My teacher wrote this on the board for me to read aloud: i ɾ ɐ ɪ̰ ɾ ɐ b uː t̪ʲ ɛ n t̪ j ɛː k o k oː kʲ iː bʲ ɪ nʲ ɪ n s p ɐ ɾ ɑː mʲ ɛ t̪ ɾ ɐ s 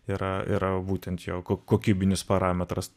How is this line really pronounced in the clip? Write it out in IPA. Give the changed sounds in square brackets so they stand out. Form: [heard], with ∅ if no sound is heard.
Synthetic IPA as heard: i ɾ ɐ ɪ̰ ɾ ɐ b uː t̪ʲ ɛ n t̪ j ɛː k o k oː kʲ iː bʲ ɪ nʲ ɪ [∅] s p ɐ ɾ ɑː mʲ ɛ t̪ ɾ ɐ s